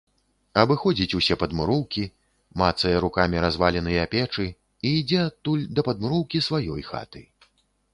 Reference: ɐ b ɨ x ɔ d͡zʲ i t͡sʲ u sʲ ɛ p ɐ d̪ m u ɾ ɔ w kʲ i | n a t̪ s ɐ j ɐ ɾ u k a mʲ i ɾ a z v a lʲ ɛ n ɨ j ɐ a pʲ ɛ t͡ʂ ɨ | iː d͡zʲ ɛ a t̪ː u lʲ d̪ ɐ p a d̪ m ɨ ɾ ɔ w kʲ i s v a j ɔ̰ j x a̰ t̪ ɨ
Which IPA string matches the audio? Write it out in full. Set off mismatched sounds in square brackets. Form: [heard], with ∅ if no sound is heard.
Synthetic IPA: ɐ b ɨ x ɔ d͡zʲ i t͡sʲ u sʲ ɛ p ɐ d̪ m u ɾ ɔ w kʲ i | [m] a t̪ s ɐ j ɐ ɾ u k a mʲ i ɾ a z v a lʲ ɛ n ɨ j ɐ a pʲ ɛ t͡ʂ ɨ | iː d͡zʲ ɛ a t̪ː u lʲ d̪ ɐ p [ɐ] d̪ m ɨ ɾ ɔ w kʲ i s v a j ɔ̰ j x a̰ t̪ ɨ